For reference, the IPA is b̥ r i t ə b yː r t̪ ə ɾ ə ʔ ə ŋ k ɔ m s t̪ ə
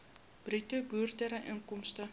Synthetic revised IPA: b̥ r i t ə b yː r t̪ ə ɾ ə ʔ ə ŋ k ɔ m s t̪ ə